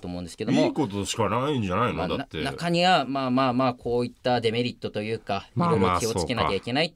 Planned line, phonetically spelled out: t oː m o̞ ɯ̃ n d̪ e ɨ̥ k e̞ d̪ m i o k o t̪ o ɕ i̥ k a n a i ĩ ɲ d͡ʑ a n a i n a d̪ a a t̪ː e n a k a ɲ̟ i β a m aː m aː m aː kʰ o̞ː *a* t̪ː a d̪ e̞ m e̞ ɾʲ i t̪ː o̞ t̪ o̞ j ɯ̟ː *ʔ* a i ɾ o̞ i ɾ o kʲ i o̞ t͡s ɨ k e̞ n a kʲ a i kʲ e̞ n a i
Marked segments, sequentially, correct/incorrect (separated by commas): incorrect, incorrect